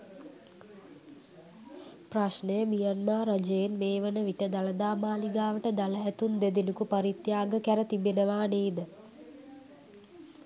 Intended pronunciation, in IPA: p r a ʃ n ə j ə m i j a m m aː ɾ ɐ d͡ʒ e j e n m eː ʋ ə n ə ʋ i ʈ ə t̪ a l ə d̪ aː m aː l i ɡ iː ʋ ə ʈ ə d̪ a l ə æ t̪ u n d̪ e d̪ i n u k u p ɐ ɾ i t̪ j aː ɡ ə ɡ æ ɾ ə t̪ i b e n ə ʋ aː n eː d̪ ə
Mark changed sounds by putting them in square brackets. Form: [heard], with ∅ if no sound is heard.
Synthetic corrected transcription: p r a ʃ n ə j ə m i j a [n] m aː ɾ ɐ d͡ʒ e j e n m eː ʋ ə n ə ʋ i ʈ ə [d̪] a l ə d̪ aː m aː l i ɡ [aː] ʋ ə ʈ ə d̪ a l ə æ t̪ u n d̪ e d̪ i n u k u p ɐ ɾ i t̪ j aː ɡ ə [k] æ ɾ ə t̪ i b e n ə ʋ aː n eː d̪ ə